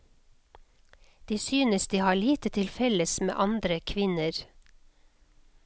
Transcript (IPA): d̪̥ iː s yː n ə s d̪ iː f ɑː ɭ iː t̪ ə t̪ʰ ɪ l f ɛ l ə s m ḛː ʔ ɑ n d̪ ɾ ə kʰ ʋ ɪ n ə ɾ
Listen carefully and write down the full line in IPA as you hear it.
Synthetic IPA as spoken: d̪̥ iː s yː n ə s d̪ iː h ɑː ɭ iː t̪ ə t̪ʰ ɪ l f ɛ l ə s m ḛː ʔ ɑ n d̪ ɾ ə kʰ ʋ ɪ n ə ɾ